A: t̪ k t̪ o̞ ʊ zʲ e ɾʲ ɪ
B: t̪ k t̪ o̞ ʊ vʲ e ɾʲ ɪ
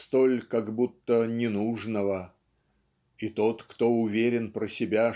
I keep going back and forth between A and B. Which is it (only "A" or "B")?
B